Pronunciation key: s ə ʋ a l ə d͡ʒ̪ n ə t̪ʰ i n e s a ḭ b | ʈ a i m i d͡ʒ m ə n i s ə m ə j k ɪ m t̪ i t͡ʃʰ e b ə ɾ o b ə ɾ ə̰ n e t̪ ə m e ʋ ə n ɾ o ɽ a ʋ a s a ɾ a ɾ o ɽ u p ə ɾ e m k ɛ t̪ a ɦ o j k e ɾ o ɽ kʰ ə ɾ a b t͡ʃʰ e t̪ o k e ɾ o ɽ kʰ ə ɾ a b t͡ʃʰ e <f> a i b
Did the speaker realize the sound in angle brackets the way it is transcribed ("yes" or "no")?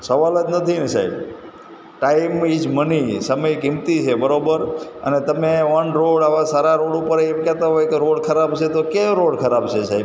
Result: no